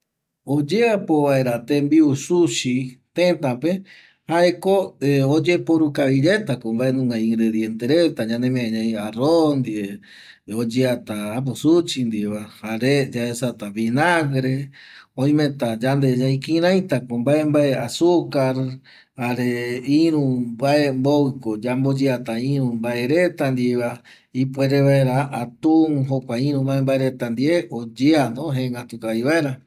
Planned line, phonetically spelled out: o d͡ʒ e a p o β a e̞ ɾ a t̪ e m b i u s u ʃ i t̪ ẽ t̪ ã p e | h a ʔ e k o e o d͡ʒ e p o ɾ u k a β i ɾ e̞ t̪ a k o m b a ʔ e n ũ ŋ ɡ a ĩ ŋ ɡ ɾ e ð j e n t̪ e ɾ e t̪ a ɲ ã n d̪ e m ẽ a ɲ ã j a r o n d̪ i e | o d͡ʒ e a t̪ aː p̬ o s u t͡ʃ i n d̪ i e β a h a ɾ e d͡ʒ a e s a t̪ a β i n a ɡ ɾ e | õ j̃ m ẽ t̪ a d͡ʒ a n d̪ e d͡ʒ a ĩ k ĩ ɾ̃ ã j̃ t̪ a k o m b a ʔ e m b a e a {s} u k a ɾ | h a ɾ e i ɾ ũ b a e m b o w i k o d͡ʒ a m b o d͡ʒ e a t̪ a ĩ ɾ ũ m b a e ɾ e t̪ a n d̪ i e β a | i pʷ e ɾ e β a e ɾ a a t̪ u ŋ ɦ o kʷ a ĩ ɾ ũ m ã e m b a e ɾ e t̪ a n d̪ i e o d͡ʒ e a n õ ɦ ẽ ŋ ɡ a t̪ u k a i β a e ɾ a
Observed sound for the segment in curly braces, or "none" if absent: s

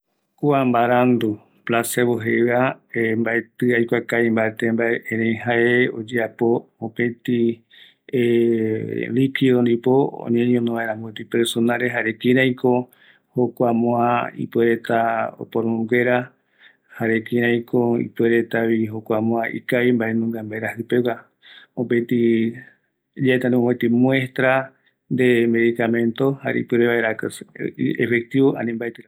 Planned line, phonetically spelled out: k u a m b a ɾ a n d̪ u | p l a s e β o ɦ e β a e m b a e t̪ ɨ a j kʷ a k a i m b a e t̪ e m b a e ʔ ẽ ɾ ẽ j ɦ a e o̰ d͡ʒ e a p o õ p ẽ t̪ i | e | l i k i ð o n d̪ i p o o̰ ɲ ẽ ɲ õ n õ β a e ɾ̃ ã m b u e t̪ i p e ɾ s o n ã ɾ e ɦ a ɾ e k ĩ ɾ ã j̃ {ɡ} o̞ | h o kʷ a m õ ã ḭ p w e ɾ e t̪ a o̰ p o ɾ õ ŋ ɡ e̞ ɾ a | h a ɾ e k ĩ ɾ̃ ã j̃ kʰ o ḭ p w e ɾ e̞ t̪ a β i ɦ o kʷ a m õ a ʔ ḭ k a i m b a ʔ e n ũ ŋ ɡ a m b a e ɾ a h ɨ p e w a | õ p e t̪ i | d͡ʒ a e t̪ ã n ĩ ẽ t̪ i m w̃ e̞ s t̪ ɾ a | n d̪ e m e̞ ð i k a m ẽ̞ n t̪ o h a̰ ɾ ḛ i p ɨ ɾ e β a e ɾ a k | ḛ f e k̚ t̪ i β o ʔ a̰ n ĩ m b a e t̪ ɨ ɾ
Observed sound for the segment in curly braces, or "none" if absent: k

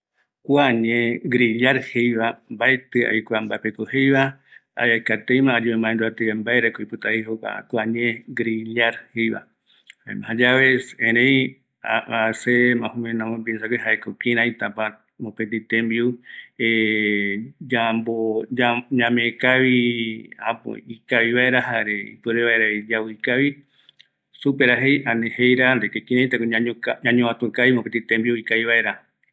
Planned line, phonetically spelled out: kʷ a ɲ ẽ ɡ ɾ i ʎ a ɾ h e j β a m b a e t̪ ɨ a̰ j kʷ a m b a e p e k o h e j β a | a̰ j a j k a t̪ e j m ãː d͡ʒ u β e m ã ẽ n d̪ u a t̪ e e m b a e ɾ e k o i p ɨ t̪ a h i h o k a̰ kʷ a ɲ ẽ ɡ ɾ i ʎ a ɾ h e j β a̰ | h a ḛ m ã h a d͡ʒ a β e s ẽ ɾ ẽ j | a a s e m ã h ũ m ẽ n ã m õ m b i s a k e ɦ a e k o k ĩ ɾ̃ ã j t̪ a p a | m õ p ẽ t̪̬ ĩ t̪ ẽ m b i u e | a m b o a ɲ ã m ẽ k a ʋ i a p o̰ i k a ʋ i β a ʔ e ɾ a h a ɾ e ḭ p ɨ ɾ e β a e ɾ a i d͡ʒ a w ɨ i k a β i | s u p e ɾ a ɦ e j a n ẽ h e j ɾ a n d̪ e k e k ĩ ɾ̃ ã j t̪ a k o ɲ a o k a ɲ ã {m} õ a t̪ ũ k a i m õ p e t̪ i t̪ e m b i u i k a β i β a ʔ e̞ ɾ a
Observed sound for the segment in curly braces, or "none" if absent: ɲ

